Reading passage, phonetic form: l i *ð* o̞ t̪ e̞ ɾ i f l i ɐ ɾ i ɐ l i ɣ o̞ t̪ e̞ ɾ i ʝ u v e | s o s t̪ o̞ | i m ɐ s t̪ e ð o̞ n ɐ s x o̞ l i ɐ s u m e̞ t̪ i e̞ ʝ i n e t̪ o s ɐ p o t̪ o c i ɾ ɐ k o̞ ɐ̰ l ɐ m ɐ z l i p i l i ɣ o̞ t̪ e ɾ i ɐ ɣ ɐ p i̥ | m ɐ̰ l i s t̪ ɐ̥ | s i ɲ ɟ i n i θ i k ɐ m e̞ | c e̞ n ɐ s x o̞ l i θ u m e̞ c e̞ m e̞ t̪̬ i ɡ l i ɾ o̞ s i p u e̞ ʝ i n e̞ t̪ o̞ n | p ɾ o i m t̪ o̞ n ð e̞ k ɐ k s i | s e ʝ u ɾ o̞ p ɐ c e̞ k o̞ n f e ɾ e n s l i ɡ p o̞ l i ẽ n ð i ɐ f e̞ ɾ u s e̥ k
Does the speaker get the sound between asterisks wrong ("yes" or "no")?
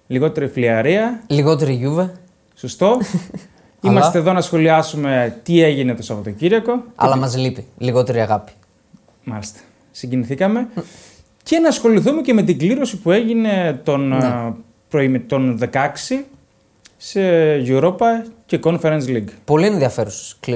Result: yes